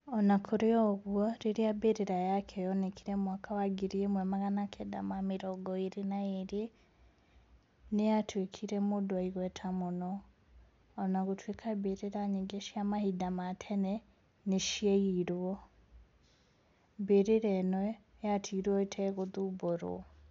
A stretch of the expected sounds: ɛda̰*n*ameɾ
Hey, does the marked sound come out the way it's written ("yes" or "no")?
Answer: no